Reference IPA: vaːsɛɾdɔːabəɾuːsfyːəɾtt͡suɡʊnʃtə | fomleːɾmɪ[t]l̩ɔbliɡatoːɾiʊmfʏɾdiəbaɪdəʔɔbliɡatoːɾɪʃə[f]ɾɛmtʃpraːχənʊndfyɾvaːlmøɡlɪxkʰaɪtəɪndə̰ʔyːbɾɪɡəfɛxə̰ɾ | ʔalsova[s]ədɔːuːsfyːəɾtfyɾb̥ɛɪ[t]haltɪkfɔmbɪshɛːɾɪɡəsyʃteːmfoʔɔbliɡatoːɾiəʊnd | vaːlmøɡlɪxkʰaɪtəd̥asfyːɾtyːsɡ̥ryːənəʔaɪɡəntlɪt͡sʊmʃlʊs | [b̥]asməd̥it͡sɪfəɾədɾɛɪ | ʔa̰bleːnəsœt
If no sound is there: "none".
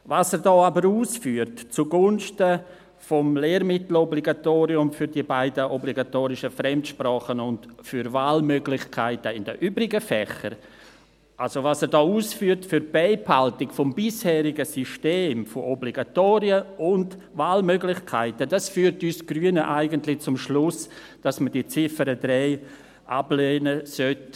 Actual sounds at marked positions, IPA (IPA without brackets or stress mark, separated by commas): t, f, s, p, d̥